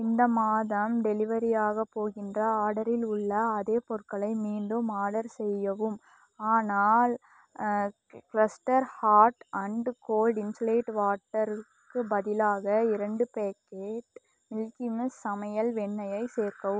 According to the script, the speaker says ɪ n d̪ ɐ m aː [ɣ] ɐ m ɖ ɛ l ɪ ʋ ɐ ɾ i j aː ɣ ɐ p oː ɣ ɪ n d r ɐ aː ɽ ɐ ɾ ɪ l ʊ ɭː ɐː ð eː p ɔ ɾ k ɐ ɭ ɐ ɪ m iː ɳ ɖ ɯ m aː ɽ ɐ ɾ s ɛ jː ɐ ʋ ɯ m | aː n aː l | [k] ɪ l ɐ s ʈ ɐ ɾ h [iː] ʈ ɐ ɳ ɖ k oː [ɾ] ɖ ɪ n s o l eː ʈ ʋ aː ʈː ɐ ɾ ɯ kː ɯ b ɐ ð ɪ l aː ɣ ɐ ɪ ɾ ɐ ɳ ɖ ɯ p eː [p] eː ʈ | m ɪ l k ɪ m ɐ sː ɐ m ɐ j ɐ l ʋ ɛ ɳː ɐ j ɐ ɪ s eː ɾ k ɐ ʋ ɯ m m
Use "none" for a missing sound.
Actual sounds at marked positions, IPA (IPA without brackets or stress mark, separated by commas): ð, k, aː, l, k